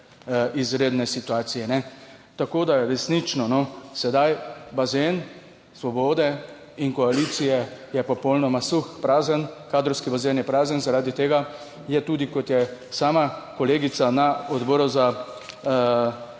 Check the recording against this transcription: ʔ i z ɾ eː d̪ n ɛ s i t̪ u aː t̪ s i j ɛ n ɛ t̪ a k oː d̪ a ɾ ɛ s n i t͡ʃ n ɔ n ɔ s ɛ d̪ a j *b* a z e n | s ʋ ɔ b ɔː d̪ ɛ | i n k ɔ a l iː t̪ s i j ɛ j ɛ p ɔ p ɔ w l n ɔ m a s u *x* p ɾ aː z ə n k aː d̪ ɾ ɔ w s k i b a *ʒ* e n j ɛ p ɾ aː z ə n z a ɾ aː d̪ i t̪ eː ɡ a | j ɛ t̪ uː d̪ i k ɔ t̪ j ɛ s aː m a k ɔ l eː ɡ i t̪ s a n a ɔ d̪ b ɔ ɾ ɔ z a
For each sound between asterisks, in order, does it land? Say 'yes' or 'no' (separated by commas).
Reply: yes, yes, no